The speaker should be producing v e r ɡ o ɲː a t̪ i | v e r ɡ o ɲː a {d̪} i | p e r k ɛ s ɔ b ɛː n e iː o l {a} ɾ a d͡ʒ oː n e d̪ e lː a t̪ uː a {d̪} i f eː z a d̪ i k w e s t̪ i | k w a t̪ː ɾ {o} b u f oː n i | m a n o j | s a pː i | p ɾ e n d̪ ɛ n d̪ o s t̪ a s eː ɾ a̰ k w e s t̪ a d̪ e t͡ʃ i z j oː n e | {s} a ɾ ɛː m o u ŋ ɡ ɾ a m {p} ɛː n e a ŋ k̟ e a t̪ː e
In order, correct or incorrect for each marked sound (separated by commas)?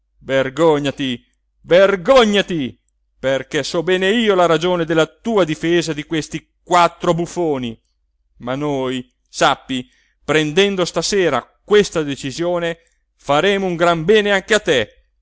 incorrect, correct, correct, correct, incorrect, incorrect